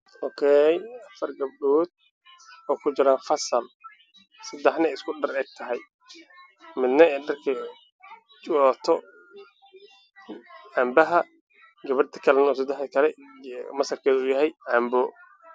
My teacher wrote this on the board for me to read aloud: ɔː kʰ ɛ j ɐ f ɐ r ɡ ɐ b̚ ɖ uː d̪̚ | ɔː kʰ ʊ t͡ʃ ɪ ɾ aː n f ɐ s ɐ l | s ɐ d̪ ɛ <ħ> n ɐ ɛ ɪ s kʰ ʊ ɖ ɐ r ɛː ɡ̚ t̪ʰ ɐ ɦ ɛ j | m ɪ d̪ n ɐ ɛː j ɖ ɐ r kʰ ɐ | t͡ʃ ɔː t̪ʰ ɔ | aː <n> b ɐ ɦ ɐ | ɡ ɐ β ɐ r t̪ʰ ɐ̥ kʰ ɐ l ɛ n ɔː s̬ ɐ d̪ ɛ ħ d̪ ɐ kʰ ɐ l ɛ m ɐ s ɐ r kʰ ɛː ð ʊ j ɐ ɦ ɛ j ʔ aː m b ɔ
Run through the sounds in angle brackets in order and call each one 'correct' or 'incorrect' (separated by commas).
correct, incorrect